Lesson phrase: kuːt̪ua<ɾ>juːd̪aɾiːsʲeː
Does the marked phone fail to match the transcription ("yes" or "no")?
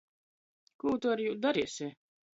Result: no